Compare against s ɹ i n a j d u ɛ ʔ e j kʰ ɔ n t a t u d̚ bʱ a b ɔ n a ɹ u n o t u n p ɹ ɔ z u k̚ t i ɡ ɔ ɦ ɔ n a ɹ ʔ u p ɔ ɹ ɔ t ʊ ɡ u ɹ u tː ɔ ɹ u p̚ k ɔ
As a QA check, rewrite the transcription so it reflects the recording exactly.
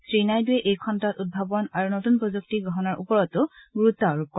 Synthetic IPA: s ɹ i n a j d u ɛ ʔ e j kʰ ɔ n t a t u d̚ bʱ a b ɔ n a ɹ u n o t u n p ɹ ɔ z u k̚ t i ɡ ɔ ɦ ɔ n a ɹ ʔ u p ɔ ɹ ɔ t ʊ ɡ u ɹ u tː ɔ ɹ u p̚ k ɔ